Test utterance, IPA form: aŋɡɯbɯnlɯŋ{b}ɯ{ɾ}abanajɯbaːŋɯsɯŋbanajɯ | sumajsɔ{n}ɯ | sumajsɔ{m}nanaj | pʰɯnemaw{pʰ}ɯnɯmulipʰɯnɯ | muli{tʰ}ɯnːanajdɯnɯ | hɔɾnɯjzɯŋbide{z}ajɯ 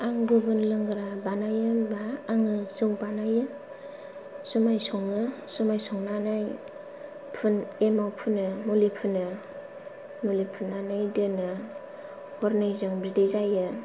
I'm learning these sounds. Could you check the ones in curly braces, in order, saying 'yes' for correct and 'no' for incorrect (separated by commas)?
no, yes, no, no, yes, no, yes